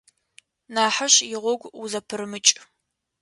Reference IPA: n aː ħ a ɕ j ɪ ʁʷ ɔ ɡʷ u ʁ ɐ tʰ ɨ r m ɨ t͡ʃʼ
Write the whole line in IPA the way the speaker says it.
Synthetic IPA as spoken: n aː ħ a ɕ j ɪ ʁʷ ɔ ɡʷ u z ɐ pʰ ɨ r m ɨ t͡ʃʼ